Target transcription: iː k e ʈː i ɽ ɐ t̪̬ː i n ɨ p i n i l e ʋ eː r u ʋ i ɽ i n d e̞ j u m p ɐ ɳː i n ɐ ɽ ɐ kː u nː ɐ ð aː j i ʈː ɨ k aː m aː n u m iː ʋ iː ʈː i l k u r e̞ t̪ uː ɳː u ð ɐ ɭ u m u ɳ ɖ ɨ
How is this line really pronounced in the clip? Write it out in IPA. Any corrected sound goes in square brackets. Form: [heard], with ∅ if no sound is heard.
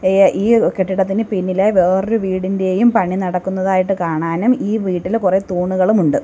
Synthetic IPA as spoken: iː k e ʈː i ɽ ɐ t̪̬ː i n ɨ p i [nː] i l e ʋ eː r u ʋ [iː] ɽ i n d e̞ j u m p ɐ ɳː i n ɐ ɽ ɐ kː u nː ɐ ð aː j i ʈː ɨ k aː [ɳ] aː n u m iː ʋ iː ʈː i l k u r e̞ t̪ uː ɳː u [ɣ] ɐ ɭ u m u ɳ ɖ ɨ